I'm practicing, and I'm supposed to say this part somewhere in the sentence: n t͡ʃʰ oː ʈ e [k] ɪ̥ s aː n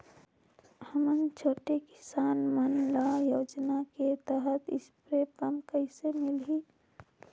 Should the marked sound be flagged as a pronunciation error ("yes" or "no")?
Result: no